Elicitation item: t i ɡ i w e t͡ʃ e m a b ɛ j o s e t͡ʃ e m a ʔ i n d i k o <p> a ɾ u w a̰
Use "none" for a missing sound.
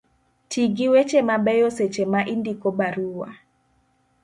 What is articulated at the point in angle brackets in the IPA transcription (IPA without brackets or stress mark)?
b